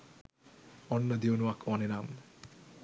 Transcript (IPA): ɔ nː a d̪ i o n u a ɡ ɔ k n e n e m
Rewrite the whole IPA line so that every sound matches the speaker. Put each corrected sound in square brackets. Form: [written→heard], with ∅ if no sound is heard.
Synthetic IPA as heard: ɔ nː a d̪ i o n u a [ɡ→k] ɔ [k→∅] n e n [e→a] m